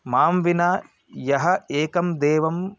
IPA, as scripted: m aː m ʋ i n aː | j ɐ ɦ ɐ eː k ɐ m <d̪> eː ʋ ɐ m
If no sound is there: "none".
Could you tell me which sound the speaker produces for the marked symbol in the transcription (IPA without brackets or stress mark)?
d̪